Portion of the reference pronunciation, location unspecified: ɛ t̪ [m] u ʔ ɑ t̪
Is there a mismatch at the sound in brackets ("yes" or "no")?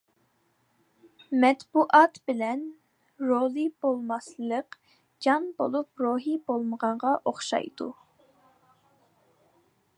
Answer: yes